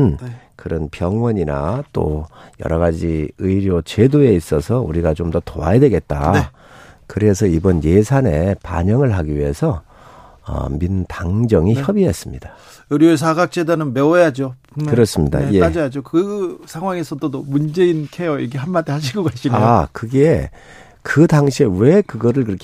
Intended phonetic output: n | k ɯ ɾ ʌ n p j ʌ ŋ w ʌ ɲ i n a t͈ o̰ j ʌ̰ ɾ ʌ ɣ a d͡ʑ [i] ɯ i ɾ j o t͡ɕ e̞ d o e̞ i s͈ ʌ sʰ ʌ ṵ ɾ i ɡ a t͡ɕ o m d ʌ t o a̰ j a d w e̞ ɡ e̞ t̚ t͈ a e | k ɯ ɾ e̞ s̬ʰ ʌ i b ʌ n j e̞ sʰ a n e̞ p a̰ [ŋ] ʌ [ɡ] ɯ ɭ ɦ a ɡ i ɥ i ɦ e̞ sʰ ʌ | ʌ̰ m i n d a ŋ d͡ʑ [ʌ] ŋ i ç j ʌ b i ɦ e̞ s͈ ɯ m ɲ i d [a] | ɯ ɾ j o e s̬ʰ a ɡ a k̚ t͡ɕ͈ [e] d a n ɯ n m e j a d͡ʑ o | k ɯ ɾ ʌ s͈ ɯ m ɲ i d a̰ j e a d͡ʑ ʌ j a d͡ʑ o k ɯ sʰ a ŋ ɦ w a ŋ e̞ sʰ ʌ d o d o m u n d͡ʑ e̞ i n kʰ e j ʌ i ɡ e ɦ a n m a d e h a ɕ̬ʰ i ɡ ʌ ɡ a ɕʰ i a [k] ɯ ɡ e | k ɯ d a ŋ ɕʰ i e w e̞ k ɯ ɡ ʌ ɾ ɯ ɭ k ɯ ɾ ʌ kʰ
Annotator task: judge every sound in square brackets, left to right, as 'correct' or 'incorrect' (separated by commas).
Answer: correct, incorrect, incorrect, correct, correct, correct, correct